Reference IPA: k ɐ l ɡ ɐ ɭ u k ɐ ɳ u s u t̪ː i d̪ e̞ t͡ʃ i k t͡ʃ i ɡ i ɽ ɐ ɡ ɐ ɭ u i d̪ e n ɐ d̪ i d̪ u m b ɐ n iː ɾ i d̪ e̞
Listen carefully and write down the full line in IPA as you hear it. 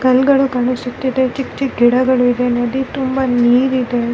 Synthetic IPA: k ɐ l ɡ ɐ ɭ u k ɐ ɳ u s u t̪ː i d̪ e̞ t͡ʃ i k t͡ʃ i ɡ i ɽ ɐ ɡ ɐ ɭ u i d̪ e n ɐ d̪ i t̪ u m b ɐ n iː ɾ i d̪ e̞

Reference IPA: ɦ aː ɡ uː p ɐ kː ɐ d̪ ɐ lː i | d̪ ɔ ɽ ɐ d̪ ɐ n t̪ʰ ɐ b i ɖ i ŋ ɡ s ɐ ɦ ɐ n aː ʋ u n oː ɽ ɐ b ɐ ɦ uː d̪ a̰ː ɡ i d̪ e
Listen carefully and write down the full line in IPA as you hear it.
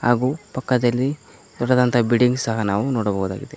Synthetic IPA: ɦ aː ɡ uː p ɐ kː ɐ d̪ ɐ lː i | d̪ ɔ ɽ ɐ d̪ ɐ n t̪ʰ ɐ b i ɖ i ŋ ɡ s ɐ ɦ ɐ n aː ʋ u n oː ɽ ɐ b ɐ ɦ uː d̪ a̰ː ɡ i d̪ e

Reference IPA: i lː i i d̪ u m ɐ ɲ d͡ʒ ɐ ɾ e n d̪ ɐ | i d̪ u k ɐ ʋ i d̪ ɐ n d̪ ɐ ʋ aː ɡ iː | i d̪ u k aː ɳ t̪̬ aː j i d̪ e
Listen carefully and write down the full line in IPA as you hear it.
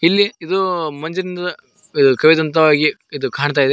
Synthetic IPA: i lː i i d̪ u m ɐ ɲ d͡ʒ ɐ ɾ i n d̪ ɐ | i d̪ u k ɐ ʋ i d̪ ɐ n t̪ ɐ ʋ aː ɡ i | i d̪ u k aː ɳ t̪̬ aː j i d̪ e

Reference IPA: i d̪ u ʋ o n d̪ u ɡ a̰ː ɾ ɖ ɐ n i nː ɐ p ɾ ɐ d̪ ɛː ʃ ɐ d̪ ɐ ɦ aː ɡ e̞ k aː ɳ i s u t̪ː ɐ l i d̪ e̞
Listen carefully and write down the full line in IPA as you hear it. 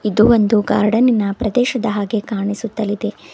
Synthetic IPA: i d̪ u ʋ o n d̪ u ɡ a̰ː ɾ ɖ ɐ n i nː ɐ p ɾ ɐ d̪ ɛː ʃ ɐ d̪ ɐ ɦ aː ɡ e̞ k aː ɳ i s u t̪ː ɐ l i d̪ e̞

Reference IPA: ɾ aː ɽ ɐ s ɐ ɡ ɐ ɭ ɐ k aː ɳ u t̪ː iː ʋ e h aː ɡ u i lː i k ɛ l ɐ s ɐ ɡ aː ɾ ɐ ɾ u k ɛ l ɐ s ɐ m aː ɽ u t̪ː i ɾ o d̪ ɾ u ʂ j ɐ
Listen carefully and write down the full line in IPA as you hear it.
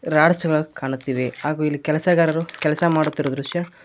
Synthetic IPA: ɾ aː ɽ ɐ s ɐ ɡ ɐ ɭ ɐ k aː ɳ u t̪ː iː ʋ e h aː ɡ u i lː i k ɛ l ɐ s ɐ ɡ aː ɾ ɐ ɾ u k ɛ l ɐ s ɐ m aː ɽ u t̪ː i ɾ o d̪ ɾ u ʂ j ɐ

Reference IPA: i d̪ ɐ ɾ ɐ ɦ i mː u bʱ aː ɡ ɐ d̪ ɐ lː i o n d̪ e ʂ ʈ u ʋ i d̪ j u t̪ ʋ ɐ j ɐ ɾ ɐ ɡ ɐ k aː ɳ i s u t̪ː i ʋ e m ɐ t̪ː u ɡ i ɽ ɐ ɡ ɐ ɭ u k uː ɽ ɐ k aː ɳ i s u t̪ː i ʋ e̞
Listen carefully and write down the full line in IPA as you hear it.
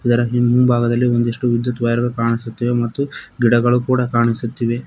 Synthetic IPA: i d̪ ɐ ɾ ɐ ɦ i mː u bʱ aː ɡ ɐ d̪ ɐ lː i o n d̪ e ʂ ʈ u ʋ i d̪ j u t̪ ʋ ɐ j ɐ ɾ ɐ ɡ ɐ k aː ɳ i s u t̪ː i ʋ e m ɐ t̪ː u ɡ i ɽ ɐ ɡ ɐ ɭ u k uː ɽ ɐ k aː ɳ i s u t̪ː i ʋ e̞

